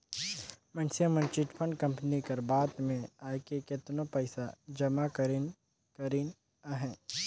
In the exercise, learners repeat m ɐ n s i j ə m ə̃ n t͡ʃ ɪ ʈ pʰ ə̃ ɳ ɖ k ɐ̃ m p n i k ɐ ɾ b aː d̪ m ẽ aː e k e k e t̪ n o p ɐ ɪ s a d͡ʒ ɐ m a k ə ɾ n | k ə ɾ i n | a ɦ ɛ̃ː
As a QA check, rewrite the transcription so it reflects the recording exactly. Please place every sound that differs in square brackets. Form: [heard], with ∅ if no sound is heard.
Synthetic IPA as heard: m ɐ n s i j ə m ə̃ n t͡ʃ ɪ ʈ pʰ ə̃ ɳ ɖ k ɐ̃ m p n i k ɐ ɾ b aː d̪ m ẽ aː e k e k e t̪ n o p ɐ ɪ s a d͡ʒ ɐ m a k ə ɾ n | k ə ɾ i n | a ɦ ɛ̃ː